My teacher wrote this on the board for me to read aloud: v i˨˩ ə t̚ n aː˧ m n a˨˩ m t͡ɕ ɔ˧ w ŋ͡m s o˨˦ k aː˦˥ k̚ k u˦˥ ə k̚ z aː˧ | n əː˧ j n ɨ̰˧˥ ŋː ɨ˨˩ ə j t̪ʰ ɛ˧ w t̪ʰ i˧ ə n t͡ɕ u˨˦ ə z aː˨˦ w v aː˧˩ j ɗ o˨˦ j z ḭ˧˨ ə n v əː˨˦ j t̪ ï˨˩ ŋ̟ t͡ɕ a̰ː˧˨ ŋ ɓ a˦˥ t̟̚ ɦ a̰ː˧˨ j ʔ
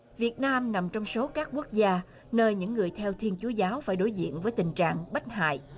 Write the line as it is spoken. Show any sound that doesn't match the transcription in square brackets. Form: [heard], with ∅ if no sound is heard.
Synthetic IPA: v i˨˩ ə t̚ n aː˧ m n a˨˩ m t͡ɕ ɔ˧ w ŋ͡m s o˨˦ k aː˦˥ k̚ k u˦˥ ə k̚ z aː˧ | n əː˧ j [ɲ] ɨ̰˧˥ ŋː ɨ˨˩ ə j t̪ʰ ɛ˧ w t̪ʰ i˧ ə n t͡ɕ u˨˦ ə z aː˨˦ w [f] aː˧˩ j ɗ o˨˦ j z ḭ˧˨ ə n v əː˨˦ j t̪ ï˨˩ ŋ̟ t͡ɕ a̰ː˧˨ ŋ ɓ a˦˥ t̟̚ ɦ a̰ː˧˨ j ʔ